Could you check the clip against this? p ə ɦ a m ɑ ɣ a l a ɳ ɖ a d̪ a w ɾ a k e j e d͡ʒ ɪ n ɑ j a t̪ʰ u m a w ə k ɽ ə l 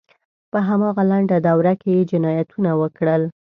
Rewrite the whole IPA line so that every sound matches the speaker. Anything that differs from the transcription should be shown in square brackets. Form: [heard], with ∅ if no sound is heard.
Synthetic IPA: p ə ɦ a m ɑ ɣ a l a ɳ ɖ a d̪ a w ɾ a k e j e d͡ʒ ɪ n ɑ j a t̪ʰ u [n] a w ə k ɽ ə l